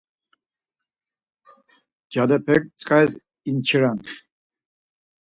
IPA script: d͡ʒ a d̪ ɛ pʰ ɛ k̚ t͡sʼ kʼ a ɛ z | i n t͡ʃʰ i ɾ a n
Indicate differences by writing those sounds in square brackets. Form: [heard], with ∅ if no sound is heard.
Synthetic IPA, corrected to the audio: d͡ʒ a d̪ ɛ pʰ ɛ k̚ t͡sʼ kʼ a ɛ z | i n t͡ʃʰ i ɾ a n